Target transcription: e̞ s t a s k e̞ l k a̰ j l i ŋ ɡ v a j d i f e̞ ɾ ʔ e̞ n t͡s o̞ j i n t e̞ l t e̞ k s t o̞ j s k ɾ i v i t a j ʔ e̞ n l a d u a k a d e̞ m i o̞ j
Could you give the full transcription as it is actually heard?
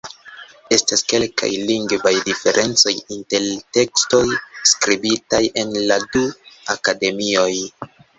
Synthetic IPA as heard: e̞ s t a s k e̞ l k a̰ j l i ŋ ɡ v a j d i f e̞ ɾ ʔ e̞ n t͡s o̞ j i n t e̞ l t e̞ k s t o̞ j s k ɾ i b i t a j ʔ e̞ n l a d u a k a d e̞ m i o̞ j